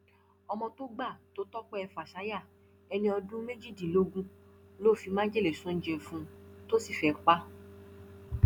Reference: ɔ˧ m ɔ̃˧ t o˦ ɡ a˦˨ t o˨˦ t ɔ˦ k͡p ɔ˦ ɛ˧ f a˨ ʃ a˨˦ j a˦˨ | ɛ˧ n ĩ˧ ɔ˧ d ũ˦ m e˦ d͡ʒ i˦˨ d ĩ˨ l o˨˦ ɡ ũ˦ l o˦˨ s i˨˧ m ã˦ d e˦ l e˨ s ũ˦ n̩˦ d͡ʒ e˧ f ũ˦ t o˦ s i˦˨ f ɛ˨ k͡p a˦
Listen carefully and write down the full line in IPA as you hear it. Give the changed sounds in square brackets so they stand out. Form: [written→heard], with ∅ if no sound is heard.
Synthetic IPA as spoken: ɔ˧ m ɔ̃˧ t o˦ [ɡ→ɡ͡b] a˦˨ t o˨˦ t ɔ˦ k͡p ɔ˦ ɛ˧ f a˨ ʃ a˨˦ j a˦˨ | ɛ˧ n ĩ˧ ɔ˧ d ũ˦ m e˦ d͡ʒ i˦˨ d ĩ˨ l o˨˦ ɡ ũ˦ l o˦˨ [s→f] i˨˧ m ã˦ [d→d͡ʒ] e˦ l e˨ s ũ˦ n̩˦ d͡ʒ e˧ f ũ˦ t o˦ s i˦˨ f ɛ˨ k͡p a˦

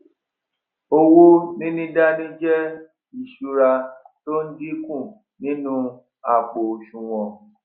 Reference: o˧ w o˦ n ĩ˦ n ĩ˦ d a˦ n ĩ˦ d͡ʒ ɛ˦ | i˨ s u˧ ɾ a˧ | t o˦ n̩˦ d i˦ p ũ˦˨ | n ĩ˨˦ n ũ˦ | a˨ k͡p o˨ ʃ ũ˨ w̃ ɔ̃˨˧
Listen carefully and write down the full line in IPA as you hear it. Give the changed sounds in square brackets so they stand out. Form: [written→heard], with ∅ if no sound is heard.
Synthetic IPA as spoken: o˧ w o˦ n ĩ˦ n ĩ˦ d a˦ n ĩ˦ d͡ʒ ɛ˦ | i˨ [s→ʃ] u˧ ɾ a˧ | t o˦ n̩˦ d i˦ [p→k] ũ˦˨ | n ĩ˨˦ n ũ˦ | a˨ k͡p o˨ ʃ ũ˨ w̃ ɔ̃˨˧

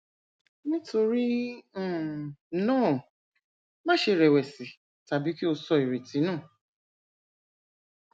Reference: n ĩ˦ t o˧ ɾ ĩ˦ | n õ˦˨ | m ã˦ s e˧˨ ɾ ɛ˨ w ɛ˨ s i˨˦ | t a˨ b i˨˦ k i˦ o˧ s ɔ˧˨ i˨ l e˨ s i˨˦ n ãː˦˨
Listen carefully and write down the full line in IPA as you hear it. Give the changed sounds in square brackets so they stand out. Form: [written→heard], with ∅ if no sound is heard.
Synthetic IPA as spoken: n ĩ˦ t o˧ ɾ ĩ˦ | n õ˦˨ | m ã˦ [s→ʃ] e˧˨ ɾ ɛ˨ w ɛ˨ s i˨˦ | t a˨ b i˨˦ k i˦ o˧ s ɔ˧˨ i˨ [l→ɾ] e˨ [s→t] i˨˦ n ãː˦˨

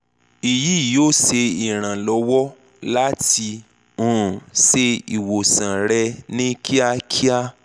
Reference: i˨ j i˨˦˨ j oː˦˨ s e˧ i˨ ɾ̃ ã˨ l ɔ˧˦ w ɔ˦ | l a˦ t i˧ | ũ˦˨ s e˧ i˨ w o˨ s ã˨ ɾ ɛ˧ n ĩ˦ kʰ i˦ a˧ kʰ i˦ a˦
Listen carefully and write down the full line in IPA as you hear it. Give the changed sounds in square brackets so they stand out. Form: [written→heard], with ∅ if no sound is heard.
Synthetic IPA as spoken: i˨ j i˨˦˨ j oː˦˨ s e˧ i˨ ɾ̃ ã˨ l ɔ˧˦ w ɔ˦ | l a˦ t i˧ | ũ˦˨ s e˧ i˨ w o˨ s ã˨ ɾ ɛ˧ n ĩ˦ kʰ i˦ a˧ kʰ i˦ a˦

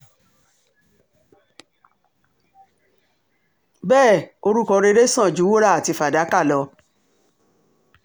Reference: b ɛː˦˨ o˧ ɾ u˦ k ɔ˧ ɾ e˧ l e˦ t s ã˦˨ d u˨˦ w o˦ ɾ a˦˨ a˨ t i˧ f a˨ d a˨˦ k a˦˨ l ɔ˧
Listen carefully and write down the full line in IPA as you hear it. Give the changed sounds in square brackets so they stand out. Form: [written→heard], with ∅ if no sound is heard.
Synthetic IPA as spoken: b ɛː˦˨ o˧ ɾ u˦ k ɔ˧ ɾ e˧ [l→ɾ] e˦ [t→∅] s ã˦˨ [d→d͡ʒ] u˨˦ w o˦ ɾ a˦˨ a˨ t i˧ f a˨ d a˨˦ k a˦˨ l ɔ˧

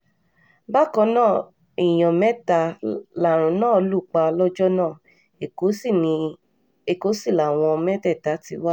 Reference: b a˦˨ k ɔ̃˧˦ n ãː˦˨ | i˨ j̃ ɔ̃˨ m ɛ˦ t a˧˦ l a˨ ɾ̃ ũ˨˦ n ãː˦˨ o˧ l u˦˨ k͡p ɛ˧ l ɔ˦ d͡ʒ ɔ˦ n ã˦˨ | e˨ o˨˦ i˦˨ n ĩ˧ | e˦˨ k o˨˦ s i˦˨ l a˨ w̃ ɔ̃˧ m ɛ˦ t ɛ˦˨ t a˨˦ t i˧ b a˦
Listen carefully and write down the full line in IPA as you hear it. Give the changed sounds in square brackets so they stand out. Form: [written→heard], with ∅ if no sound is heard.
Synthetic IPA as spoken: b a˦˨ k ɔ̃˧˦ n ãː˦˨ | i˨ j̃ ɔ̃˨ m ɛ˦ t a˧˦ l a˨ ɾ̃ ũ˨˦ n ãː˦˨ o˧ l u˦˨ k͡p [ɛ˧→a˧] l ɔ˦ d͡ʒ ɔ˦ n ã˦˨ | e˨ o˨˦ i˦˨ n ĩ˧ | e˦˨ k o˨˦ s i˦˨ l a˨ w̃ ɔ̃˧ m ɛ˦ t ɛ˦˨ t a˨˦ t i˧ [b→w] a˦

